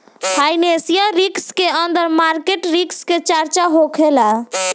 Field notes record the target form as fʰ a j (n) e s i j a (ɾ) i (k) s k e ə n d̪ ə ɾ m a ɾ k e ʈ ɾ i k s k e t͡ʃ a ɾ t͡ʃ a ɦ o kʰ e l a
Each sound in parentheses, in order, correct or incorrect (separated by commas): correct, correct, correct